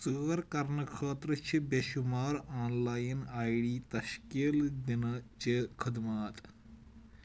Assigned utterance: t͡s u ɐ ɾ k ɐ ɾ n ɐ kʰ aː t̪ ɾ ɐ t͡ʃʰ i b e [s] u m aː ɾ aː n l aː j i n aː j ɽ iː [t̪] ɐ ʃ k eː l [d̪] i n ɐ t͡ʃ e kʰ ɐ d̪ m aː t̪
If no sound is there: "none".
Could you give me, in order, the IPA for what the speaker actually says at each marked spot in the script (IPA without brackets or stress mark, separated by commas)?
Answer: ʃ, t̪, d̪